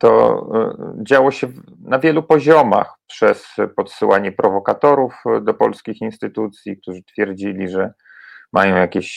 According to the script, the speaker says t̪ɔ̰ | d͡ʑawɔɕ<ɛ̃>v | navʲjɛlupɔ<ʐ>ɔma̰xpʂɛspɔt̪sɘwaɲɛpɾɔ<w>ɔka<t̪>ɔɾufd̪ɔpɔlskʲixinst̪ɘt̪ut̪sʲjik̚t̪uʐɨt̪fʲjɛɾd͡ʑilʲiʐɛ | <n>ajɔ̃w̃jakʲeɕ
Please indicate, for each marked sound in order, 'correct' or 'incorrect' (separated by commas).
incorrect, incorrect, incorrect, correct, incorrect